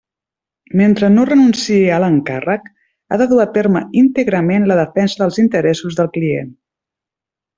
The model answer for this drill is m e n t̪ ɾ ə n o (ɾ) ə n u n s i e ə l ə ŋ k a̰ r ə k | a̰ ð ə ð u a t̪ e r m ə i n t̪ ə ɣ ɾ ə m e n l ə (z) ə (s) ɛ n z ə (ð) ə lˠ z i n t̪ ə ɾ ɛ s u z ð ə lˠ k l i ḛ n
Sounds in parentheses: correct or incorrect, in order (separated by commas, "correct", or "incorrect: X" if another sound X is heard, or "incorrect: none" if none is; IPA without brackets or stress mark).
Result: incorrect: r, incorrect: ð, incorrect: f, correct